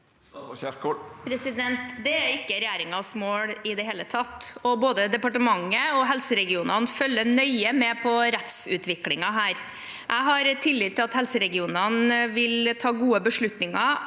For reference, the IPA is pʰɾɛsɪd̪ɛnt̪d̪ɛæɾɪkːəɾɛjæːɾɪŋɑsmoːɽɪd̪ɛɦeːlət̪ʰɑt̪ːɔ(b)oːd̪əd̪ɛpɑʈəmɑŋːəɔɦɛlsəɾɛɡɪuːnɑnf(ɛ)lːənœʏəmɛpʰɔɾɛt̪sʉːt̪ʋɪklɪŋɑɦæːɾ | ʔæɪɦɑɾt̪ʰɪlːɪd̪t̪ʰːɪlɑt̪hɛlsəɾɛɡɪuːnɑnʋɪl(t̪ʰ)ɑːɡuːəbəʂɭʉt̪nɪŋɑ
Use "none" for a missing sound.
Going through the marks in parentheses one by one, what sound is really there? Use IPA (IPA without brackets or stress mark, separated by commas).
b, œ, t̪ʰ